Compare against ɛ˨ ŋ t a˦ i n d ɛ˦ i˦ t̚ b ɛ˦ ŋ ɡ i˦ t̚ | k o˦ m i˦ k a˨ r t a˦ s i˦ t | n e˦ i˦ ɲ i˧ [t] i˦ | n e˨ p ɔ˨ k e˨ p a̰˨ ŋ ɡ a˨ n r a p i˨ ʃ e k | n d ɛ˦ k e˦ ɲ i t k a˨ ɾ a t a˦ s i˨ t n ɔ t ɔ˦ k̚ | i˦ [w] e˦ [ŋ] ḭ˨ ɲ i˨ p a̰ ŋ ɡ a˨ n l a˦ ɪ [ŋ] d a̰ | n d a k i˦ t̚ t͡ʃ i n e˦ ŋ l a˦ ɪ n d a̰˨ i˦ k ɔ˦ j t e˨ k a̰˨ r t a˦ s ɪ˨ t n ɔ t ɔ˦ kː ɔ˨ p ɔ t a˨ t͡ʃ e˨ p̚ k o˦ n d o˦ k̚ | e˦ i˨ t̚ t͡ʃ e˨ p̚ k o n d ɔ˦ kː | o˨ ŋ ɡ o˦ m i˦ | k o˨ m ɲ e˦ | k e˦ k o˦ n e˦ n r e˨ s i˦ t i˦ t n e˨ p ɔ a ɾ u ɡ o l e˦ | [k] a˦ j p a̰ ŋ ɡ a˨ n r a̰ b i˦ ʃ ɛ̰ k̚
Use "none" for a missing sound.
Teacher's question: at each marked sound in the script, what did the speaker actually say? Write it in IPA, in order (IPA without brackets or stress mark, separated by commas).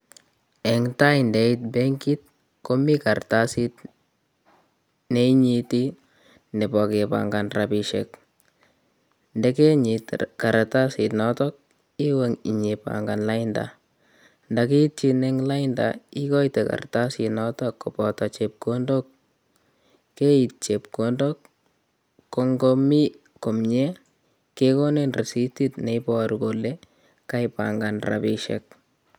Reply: t, w, ŋ, n, k